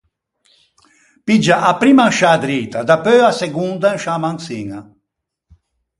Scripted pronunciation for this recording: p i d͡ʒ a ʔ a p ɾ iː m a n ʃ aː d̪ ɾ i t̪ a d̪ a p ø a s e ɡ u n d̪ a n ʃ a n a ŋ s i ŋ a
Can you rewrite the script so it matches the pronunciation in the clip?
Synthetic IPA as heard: p i d͡ʒ a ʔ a p ɾ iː m a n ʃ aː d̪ ɾ i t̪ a d̪ a p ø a s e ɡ u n d̪ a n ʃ a m a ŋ s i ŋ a